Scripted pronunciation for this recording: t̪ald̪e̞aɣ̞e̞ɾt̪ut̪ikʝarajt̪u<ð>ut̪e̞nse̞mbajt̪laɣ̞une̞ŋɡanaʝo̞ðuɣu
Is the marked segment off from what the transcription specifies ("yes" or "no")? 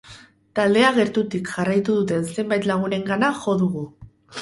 no